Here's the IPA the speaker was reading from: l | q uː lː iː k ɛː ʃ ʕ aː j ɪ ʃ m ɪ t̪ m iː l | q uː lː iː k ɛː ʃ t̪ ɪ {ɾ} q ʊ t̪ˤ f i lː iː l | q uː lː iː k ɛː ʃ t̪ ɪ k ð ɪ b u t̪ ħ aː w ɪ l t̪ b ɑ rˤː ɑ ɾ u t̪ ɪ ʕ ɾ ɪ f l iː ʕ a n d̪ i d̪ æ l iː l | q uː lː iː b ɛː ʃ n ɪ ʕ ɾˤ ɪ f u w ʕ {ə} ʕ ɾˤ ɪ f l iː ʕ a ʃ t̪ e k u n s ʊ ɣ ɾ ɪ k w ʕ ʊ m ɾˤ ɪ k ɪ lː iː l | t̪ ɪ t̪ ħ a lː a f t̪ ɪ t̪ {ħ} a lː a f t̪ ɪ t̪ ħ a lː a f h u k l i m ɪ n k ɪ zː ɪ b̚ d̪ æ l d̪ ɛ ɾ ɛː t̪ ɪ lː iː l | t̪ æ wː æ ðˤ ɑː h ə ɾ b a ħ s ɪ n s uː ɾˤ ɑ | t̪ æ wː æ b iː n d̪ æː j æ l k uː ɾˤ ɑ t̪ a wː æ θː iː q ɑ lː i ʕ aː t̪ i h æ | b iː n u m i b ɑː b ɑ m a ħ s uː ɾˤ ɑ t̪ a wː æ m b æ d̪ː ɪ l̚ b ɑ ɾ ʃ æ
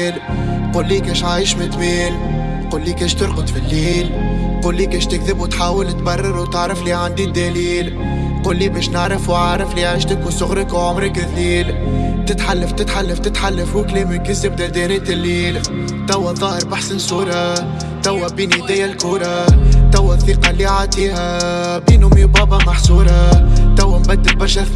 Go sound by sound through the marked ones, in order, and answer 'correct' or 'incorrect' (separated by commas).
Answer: correct, incorrect, correct